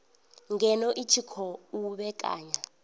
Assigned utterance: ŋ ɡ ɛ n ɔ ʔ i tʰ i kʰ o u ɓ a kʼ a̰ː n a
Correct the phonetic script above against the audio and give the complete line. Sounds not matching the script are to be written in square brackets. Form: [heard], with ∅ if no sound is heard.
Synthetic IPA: ŋ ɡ ɛ n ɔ ʔ i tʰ i kʰ [ɔ] u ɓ [ɛ] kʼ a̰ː [ɲ] a